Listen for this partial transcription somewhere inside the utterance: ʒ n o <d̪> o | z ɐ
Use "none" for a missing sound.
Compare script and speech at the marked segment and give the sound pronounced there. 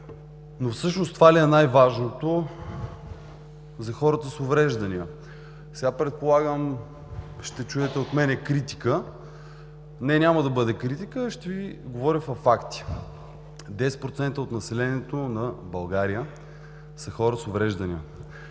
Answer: t̪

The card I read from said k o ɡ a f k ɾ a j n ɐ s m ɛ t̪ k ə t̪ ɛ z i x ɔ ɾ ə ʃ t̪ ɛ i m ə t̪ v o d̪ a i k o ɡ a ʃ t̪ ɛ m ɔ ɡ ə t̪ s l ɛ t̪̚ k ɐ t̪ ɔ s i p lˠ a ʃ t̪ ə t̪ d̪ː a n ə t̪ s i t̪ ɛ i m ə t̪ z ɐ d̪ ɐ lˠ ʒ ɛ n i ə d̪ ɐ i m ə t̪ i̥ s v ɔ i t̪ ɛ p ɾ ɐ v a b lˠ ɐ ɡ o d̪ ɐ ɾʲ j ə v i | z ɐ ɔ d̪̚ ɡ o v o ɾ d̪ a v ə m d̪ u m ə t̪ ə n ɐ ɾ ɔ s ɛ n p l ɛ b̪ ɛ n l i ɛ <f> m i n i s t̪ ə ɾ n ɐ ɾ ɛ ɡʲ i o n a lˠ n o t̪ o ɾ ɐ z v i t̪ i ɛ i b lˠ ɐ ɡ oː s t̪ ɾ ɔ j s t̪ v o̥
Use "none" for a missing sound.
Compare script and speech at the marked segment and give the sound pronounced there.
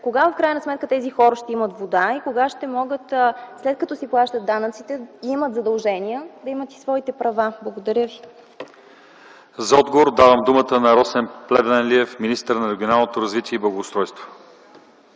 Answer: f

